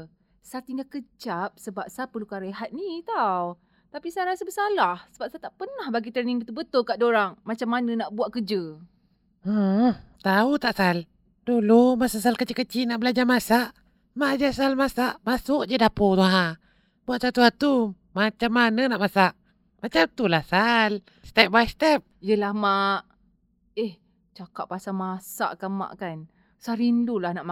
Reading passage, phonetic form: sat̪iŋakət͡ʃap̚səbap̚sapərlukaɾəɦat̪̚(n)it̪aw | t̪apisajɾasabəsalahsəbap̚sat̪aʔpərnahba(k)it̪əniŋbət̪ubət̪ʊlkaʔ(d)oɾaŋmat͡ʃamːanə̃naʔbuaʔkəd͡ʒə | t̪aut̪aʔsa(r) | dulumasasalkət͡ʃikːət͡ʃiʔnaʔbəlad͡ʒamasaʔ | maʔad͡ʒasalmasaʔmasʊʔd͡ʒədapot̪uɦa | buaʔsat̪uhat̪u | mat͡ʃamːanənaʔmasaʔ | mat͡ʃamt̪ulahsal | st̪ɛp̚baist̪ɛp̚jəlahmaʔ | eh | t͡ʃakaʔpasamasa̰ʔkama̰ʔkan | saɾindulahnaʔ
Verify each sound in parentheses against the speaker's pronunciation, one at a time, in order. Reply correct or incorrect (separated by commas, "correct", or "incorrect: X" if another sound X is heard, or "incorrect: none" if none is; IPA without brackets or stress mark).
correct, incorrect: ɡ, correct, incorrect: l